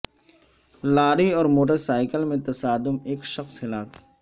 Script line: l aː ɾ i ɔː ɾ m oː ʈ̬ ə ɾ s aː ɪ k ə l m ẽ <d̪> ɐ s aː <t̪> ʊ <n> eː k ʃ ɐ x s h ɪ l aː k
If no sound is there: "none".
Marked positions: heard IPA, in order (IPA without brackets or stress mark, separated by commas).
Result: t̪, d̪, m